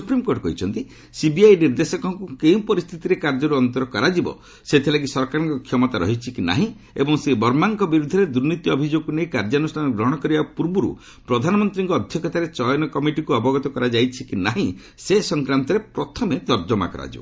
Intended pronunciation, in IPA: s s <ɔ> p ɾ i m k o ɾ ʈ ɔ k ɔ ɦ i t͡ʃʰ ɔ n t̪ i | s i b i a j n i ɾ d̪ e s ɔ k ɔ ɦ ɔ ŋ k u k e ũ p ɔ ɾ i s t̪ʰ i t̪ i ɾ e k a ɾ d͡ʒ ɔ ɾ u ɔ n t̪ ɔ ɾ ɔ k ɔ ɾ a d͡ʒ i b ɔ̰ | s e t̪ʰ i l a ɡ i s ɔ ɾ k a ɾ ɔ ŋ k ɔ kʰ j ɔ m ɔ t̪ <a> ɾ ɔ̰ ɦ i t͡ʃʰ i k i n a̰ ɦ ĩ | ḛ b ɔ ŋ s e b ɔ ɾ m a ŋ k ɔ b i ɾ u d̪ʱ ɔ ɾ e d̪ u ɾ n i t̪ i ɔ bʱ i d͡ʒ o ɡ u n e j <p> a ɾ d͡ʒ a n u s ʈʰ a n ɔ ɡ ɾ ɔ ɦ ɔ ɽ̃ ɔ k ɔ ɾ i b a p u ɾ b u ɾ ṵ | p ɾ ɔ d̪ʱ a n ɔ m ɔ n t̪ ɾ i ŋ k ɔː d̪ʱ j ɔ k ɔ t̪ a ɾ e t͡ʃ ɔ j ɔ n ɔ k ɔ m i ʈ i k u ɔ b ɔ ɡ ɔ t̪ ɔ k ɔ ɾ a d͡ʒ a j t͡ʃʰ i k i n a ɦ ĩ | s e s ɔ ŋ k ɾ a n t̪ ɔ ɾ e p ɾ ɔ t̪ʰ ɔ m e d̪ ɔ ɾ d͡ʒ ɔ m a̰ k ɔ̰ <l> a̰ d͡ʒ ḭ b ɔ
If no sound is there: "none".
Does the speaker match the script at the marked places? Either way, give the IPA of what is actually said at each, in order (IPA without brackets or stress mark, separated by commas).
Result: u, a, k, ɾ